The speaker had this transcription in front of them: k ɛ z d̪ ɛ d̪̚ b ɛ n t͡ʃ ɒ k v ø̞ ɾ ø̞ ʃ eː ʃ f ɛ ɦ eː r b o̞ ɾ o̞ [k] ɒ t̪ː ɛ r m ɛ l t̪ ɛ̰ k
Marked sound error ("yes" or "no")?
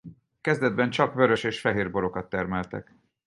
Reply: no